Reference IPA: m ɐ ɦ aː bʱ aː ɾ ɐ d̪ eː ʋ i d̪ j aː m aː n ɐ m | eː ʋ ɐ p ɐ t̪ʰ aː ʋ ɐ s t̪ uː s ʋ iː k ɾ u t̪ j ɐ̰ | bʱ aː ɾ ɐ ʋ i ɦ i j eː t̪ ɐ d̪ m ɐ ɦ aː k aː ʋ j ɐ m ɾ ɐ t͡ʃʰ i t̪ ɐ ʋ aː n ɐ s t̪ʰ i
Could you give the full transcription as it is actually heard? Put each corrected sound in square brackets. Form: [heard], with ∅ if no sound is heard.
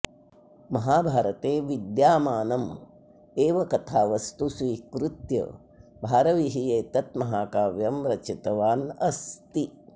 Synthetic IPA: m ɐ ɦ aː bʱ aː ɾ ɐ [t̪] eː ʋ i d̪ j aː m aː n ɐ m | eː ʋ ɐ [k] ɐ t̪ʰ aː ʋ ɐ s t̪ [u] s ʋ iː k ɾ u t̪ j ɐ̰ | bʱ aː ɾ ɐ ʋ i ɦ i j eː t̪ ɐ [t̪] m ɐ ɦ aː k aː ʋ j ɐ m ɾ ɐ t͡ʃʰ i t̪ ɐ ʋ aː n ɐ s [t̪] i